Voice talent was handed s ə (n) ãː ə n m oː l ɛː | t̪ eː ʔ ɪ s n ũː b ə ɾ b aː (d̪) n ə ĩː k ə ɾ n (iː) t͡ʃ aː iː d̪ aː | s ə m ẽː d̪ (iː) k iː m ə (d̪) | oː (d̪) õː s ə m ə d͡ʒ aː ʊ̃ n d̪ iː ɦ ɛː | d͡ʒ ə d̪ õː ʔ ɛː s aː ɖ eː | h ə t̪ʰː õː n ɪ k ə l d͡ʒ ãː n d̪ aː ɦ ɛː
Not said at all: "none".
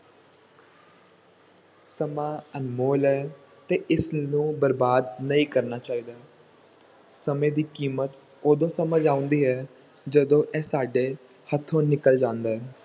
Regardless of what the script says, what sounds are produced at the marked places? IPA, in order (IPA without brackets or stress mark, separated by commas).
m, d̪, aː, iː, t̪, d̪